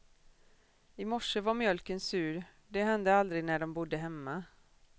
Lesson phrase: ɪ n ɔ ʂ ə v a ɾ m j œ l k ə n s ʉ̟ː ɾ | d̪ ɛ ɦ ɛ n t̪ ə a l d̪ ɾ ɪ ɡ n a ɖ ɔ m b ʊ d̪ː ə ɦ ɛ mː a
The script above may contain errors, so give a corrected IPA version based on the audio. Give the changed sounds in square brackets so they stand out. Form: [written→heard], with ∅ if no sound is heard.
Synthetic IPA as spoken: ɪ [n→m] ɔ ʂ ə v a ɾ m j œ l k ə n s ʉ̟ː ɾ | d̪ ɛ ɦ ɛ n [t̪→d̪] ə a l d̪ ɾ ɪ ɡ n [a→æ] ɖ ɔ m b ʊ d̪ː ə ɦ ɛ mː a